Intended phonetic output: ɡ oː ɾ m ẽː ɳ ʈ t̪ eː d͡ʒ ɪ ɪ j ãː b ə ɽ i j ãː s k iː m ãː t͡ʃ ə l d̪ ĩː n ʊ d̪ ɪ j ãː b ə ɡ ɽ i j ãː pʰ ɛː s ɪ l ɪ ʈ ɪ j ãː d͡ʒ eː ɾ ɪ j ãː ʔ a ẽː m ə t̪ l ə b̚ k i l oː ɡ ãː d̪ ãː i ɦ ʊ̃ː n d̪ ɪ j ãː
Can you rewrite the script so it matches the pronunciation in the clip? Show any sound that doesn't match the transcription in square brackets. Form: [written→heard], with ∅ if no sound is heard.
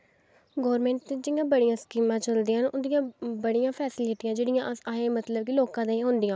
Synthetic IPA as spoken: ɡ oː ɾ m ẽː ɳ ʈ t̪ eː d͡ʒ ɪ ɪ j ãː b ə ɽ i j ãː s k iː m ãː t͡ʃ ə l d̪ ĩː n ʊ d̪ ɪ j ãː b ə [ɡ→∅] ɽ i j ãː pʰ ɛː s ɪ l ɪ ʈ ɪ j ãː d͡ʒ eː [ɾ→ɽ] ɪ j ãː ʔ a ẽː m ə t̪ l ə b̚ k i l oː [ɡ→k] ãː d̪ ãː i ɦ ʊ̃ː n d̪ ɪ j ãː